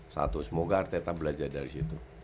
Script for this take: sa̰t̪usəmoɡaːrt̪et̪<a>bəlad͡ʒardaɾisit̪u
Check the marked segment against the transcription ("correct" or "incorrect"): correct